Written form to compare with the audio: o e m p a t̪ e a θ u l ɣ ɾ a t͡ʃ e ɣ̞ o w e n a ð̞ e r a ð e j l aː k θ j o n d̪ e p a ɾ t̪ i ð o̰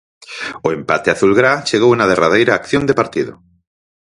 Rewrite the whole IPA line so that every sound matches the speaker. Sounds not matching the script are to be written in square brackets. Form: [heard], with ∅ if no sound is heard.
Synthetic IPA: o e m p a t̪ e a θ u l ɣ ɾ a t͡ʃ e ɣ̞ o w e n a ð̞ e r a ð e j [ɾ] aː k θ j o n d̪ e p a ɾ t̪ i ð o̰